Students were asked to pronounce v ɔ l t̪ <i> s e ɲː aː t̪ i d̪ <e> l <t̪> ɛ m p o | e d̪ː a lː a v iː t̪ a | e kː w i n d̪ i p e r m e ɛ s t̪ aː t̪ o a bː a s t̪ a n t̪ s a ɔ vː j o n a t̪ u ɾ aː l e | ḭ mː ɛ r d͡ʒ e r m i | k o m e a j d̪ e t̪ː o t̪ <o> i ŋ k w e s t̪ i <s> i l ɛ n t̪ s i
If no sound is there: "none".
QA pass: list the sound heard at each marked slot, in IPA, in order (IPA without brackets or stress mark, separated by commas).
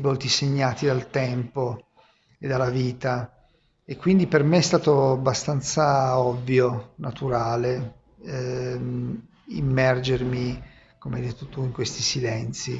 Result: i, a, t̪, u, s